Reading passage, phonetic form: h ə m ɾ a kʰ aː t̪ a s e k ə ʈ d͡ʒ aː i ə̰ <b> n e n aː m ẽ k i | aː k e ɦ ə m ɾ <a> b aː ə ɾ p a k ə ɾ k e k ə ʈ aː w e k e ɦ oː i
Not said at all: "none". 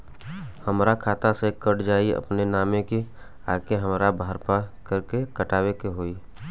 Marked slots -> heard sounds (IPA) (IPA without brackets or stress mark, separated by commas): p, a